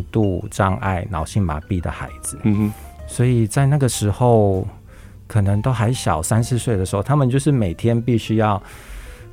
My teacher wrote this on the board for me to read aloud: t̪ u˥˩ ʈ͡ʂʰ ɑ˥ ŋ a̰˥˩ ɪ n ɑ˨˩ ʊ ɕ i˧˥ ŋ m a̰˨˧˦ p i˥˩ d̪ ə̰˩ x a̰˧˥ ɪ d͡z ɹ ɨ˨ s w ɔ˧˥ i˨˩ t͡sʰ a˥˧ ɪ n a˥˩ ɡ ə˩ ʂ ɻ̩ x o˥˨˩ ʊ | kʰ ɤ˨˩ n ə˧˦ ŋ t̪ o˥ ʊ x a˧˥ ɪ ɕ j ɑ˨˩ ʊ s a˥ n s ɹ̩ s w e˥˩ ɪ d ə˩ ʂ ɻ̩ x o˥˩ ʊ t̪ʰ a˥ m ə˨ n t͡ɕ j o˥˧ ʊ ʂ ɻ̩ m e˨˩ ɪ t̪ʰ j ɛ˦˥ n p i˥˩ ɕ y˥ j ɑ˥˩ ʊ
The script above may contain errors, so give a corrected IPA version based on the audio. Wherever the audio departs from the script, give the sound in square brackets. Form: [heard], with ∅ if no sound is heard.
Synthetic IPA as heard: t̪ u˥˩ [ʈ͡ʂ] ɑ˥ ŋ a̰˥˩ ɪ n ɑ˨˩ ʊ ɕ [i˥˩] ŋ m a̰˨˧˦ p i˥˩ d̪ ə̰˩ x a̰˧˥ ɪ d͡z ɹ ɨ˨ s w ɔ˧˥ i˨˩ [t͡s] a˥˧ ɪ n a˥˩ ɡ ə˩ ʂ ɻ̩ x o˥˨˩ ʊ | kʰ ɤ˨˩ n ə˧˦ ŋ t̪ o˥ ʊ x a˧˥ ɪ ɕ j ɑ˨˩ ʊ s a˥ n s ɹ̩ s w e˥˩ ɪ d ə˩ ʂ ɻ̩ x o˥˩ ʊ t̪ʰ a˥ m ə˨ n t͡ɕ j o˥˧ ʊ ʂ ɻ̩ m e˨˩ ɪ t̪ʰ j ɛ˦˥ n p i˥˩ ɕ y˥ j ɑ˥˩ ʊ